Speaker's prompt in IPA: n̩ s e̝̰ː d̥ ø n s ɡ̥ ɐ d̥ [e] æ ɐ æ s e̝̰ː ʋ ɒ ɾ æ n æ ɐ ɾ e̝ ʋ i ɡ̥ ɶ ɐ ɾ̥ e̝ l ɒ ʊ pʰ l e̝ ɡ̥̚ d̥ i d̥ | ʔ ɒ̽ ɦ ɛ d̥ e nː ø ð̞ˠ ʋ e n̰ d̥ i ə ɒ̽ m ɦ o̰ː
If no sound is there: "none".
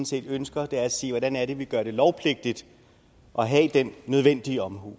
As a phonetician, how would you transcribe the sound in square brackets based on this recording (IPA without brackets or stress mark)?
e